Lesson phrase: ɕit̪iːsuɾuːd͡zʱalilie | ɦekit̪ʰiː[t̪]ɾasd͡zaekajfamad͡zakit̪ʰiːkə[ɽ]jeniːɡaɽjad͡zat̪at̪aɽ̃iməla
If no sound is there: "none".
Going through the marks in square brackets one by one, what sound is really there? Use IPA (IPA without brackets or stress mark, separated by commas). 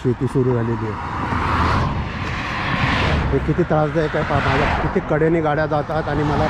t̪, ɽ